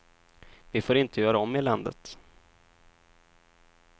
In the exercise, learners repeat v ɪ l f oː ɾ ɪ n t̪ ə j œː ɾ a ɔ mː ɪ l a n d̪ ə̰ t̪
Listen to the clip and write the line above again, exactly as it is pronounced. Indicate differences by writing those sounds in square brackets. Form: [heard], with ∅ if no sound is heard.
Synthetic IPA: v ɪ [∅] f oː ɾ ɪ n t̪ ə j œː ɾ a ɔ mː ɪ l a n d̪ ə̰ t̪